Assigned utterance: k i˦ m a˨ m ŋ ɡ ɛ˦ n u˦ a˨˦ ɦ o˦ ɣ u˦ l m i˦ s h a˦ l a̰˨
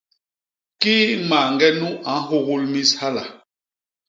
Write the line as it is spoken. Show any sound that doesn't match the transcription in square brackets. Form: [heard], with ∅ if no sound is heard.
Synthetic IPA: k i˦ m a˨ [∅] ŋ ɡ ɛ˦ n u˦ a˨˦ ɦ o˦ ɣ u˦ l m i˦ s h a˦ l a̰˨